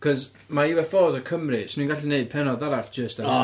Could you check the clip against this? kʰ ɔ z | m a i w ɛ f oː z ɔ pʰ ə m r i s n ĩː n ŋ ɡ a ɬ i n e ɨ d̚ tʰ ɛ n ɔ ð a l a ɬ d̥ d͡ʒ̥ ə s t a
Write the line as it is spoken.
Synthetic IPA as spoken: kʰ ɔ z | m a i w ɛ f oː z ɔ kʰ ə m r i s n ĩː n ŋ ɡ a ɬ i n e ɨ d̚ pʰ ɛ n ɔ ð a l a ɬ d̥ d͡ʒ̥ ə s t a